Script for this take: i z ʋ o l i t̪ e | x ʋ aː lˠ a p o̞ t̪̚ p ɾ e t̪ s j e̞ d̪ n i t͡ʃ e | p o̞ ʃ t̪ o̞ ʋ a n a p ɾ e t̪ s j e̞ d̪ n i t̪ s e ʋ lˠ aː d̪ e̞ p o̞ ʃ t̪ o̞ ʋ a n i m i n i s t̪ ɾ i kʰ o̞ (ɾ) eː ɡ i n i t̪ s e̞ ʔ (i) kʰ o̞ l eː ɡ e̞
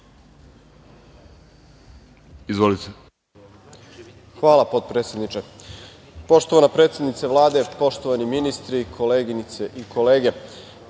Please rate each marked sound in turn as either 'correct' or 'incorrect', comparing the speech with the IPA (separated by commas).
incorrect, correct